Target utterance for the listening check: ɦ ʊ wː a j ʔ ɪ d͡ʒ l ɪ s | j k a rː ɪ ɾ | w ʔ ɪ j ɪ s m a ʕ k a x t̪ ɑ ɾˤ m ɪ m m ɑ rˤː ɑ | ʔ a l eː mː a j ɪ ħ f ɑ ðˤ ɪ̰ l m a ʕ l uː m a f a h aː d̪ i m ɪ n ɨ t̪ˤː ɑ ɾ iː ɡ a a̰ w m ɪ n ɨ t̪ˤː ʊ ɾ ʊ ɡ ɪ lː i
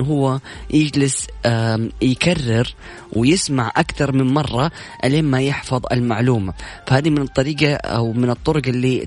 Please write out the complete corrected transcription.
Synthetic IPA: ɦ ʊ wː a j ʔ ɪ d͡ʒ l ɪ s | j k a rː ɪ ɾ | w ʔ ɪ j ɪ s m a ʕ ʔ a k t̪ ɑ ɾˤ m ɪ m m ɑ rˤː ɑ | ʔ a l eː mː a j ɪ ħ f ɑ ðˤ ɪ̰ l m a ʕ l uː m a f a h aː d̪ i m ɪ n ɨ t̪ˤː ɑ ɾ iː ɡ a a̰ w m ɪ n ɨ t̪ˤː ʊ ɾ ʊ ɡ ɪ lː i